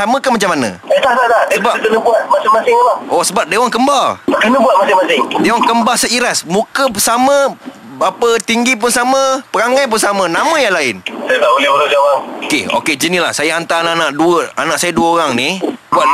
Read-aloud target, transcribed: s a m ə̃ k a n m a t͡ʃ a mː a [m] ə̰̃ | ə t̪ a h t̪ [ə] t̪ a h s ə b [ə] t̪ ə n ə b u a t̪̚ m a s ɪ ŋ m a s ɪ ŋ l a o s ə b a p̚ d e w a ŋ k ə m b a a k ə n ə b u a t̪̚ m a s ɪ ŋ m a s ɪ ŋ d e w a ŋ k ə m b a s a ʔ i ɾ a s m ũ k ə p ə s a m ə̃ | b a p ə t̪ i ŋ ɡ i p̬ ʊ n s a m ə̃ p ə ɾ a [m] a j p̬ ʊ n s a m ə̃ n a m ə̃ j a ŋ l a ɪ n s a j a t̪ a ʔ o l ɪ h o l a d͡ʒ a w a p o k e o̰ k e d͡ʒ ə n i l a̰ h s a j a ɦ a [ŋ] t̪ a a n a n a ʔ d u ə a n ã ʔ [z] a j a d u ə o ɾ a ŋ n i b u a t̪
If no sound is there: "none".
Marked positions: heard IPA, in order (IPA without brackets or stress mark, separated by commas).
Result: n, a, a, ŋ, n, s